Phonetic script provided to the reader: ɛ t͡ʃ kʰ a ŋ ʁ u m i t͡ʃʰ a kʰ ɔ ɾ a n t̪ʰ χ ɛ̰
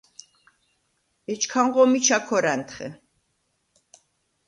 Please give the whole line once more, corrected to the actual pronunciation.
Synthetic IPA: ɛ t͡ʃ kʰ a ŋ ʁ ɔ m i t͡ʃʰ a kʰ ɔ ɾ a n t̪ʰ χ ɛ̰